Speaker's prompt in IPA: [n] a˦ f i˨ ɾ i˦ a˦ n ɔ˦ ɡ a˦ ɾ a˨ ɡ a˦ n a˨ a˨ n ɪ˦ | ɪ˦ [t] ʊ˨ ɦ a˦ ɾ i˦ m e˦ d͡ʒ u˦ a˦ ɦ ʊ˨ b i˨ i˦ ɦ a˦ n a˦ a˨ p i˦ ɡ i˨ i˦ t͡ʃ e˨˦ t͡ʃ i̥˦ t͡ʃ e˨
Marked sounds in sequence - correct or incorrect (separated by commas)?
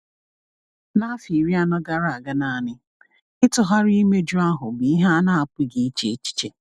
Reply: correct, correct